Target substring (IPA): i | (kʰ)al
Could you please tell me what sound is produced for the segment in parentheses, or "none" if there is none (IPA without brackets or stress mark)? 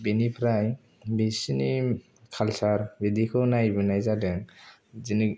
kʰ